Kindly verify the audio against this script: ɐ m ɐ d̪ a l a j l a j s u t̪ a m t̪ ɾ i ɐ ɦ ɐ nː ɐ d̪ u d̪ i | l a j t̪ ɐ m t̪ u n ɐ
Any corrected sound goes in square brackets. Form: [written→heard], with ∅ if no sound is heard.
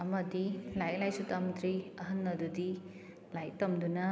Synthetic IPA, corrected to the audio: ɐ m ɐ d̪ [a→i] l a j l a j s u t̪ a m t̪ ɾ i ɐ ɦ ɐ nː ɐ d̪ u d̪ i | l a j t̪ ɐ m [t̪→d̪] u n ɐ